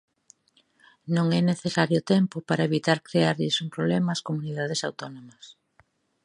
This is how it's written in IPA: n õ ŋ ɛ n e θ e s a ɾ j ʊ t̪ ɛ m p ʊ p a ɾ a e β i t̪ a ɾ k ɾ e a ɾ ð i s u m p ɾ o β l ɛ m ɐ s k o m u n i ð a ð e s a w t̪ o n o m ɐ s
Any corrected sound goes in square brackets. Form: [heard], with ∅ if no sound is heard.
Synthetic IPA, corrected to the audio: n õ ŋ ɛ n e θ e s a ɾ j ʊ t̪ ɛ m p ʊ p a ɾ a e β i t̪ a ɾ k ɾ e a ɾ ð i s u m p ɾ o β l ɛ m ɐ s k o m u n i ð a ð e s a w t̪ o n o m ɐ s